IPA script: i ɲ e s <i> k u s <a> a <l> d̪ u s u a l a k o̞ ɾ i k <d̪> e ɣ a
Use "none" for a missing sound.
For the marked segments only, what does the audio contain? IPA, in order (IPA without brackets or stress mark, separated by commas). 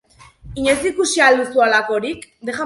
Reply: i, i, l, d̪